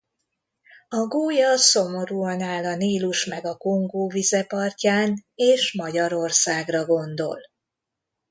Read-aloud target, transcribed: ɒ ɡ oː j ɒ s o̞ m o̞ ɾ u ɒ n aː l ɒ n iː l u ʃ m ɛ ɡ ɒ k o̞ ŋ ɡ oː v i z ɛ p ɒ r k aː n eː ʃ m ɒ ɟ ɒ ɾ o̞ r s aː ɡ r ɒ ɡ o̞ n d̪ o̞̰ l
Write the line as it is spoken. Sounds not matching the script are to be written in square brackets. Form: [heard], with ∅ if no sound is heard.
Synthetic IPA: ɒ ɡ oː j ɒ s o̞ m o̞ ɾ u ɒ n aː l ɒ n iː l u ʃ m ɛ ɡ ɒ k o̞ ŋ ɡ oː v i z ɛ p ɒ r [c] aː n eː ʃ m ɒ ɟ ɒ ɾ o̞ r s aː ɡ r ɒ ɡ o̞ n d̪ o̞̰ l